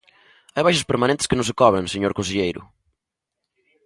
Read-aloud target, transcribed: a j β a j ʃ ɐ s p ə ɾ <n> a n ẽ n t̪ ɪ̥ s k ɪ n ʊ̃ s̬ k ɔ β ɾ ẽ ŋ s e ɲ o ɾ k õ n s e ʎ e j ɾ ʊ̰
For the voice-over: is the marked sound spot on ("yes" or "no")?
no